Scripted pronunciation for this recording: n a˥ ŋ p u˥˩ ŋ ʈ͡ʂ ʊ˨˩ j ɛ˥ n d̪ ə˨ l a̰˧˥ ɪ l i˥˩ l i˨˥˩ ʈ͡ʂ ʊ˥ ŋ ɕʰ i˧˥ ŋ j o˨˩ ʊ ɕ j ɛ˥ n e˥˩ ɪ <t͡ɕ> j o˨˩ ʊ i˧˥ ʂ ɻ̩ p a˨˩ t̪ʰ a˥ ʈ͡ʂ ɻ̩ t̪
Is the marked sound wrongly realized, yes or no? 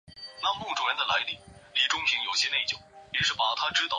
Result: no